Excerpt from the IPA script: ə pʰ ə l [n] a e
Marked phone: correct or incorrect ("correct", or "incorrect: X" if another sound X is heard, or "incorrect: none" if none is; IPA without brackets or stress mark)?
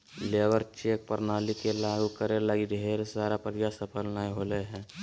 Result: correct